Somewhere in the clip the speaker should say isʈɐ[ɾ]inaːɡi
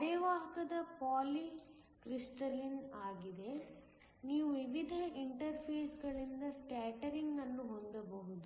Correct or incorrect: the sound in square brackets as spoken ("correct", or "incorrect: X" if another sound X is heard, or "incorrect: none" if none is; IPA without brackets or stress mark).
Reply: incorrect: l